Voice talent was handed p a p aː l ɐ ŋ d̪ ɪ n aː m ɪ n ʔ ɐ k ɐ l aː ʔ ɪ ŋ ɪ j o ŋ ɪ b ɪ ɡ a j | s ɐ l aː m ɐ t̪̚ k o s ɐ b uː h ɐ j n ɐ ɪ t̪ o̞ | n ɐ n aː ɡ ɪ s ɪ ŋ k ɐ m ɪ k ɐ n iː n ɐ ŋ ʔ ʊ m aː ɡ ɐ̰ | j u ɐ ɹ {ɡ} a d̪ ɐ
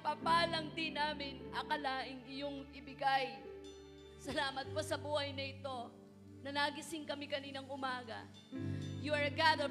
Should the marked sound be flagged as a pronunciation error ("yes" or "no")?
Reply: no